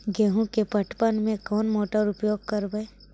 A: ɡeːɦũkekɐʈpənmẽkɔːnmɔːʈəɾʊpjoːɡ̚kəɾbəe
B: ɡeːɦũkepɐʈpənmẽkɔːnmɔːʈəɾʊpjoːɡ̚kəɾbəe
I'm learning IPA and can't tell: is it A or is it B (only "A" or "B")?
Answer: B